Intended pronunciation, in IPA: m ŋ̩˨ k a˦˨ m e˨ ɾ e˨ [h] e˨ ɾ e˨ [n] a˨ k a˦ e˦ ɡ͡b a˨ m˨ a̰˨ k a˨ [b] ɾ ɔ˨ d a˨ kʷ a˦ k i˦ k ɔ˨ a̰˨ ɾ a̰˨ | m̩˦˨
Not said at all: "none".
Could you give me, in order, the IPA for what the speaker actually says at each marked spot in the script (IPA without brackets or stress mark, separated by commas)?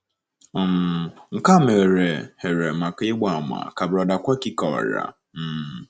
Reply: h, m, b